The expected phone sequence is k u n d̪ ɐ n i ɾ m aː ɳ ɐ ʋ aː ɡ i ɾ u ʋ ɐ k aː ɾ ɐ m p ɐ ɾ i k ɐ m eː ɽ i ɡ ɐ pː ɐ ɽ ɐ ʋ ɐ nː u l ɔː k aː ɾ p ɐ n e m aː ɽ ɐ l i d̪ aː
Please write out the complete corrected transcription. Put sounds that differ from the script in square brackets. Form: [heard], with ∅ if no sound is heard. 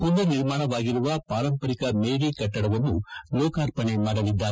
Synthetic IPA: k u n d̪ ɐ n i ɾ m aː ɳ ɐ ʋ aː ɡ i ɾ u ʋ ɐ [p] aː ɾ ɐ m p ɐ ɾ i k ɐ m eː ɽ i [k] ɐ [ʈː] ɐ ɽ ɐ ʋ ɐ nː u l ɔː k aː ɾ p ɐ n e m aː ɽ ɐ l i [d̪ː] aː